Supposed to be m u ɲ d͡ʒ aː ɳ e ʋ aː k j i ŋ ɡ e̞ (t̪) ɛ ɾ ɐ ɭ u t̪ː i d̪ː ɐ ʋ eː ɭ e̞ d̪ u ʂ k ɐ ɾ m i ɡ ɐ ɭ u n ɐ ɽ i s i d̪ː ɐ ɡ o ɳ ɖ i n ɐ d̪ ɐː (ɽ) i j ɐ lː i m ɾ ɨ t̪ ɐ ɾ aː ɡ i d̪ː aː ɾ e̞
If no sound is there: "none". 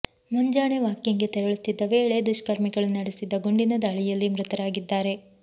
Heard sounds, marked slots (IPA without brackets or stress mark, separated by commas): t̪, ɭ